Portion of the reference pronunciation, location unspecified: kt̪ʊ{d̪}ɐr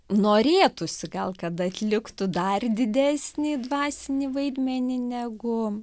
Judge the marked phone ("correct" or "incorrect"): correct